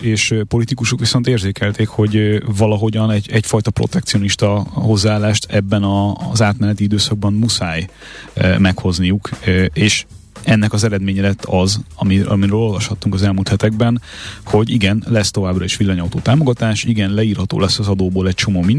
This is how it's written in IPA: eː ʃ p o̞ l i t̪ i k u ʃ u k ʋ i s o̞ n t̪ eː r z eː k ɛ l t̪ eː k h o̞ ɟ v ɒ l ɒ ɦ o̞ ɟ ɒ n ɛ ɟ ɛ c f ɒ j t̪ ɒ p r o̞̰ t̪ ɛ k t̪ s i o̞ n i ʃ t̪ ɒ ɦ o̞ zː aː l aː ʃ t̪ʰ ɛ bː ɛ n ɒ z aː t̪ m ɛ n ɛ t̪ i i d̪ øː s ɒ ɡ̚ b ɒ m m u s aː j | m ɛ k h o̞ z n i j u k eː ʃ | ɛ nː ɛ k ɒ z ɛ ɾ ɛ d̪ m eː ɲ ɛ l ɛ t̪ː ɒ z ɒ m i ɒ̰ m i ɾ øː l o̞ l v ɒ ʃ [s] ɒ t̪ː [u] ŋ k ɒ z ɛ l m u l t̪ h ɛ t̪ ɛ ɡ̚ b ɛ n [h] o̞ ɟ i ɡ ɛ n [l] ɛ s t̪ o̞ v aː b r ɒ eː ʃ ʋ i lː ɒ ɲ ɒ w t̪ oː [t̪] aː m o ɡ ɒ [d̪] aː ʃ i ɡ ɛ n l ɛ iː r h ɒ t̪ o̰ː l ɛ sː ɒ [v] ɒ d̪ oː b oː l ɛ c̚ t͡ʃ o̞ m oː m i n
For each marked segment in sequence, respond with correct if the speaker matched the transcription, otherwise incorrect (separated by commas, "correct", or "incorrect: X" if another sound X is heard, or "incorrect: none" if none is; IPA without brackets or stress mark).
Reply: incorrect: h, correct, correct, correct, correct, incorrect: t̪, incorrect: z